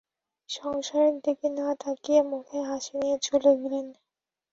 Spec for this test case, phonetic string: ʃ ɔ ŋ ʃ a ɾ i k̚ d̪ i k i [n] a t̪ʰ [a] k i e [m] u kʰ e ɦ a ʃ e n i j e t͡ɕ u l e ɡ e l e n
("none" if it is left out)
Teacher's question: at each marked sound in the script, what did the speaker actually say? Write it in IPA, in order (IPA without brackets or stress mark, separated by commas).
n, a, m